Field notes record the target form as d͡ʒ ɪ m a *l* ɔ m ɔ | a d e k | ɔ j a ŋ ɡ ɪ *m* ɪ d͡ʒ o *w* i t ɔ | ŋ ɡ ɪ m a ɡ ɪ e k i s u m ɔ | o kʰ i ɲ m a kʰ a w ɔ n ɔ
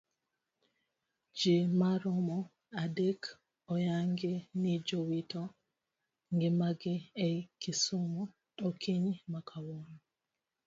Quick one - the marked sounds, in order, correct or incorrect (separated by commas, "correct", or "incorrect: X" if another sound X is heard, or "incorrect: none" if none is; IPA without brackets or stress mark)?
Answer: incorrect: ɾ, incorrect: n, correct